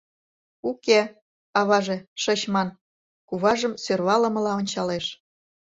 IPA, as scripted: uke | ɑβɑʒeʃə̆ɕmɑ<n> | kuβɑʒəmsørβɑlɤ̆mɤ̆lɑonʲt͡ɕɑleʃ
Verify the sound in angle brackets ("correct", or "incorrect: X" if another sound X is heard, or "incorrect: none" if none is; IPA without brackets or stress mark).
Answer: correct